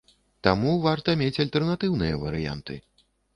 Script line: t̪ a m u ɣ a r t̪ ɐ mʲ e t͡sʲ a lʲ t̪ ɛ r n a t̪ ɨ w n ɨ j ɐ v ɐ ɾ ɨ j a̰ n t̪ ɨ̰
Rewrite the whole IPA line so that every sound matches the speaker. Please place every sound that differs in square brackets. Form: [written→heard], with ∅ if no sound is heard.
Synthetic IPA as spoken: t̪ a m u [ɣ→v] a r t̪ ɐ mʲ e t͡sʲ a lʲ t̪ ɛ r n a t̪ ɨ w n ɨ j ɐ v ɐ ɾ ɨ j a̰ n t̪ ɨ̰